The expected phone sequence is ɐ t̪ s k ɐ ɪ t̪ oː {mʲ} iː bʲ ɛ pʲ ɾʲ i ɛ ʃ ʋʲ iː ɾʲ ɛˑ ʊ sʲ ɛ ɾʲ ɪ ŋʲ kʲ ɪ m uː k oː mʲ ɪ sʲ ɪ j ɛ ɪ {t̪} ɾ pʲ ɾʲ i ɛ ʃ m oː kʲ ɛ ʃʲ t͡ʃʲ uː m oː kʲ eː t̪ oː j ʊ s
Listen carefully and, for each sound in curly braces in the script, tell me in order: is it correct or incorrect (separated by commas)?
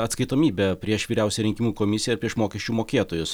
correct, incorrect